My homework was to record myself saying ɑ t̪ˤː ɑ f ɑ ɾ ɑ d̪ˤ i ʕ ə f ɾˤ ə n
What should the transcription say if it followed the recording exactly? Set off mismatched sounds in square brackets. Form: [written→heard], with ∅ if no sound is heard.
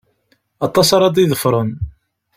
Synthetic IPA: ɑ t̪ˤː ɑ [f→s] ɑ ɾ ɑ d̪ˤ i [ʕ→ð] ə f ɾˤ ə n